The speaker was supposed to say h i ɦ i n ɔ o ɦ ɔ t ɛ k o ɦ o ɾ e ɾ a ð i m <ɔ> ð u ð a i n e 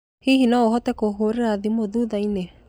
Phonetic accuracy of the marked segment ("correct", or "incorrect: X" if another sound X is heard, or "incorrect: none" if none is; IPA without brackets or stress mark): incorrect: o